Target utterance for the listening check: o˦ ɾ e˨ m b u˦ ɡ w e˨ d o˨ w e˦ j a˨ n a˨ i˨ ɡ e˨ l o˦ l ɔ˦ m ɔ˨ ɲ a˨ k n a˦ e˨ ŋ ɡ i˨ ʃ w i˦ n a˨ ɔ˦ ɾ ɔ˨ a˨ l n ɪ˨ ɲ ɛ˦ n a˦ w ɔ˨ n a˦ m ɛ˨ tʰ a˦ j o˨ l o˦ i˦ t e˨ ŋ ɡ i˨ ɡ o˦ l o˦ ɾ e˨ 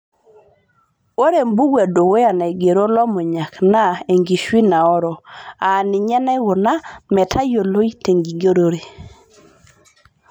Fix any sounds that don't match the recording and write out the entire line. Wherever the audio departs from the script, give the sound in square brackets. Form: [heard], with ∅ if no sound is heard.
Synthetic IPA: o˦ ɾ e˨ m b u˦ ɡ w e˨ d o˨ w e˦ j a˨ n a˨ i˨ ɡ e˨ [ɾ] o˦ l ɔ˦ m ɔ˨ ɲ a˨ k n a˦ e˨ ŋ ɡ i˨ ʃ w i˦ n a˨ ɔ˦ ɾ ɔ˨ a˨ [∅] n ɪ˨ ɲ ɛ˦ n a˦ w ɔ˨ n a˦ m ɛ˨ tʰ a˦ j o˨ l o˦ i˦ t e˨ ŋ ɡ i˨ ɡ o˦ [ɾ] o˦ ɾ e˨

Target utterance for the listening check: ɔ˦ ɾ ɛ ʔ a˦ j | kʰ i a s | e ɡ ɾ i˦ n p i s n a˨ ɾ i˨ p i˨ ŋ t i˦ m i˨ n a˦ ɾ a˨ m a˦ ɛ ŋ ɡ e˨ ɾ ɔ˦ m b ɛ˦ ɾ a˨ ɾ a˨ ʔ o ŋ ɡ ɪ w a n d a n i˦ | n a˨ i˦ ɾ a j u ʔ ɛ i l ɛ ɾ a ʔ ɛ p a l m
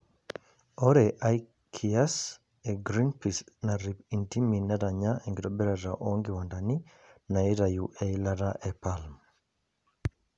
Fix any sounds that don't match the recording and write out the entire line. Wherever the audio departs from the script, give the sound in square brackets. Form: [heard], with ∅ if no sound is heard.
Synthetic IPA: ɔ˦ ɾ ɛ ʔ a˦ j | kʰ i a s | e ɡ ɾ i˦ n p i s n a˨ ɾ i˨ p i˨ [n] t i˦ m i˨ n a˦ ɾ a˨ [ɲ] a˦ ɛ ŋ ɡ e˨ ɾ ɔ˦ [∅] b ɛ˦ ɾ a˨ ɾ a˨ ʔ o ŋ ɡ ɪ w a n d a n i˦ | n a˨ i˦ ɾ a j u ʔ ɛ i l [a] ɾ a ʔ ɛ p a l m

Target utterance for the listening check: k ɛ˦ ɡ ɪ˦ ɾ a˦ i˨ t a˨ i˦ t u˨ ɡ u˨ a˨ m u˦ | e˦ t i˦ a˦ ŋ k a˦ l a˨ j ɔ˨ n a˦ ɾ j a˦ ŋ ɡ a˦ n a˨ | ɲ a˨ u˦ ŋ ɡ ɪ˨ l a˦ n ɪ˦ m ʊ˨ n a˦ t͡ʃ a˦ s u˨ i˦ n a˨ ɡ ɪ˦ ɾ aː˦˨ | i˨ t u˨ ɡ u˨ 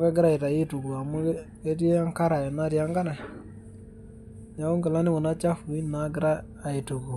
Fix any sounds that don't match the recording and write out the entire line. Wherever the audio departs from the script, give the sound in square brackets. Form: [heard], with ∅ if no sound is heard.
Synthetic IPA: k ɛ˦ ɡ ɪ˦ ɾ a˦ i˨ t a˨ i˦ t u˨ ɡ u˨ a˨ m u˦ | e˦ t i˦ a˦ ŋ k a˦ [ɾ] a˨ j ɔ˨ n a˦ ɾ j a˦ ŋ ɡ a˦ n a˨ | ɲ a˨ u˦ ŋ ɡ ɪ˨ l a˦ n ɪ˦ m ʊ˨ n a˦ t͡ʃ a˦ [f] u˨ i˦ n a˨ ɡ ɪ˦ ɾ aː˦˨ | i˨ t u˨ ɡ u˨

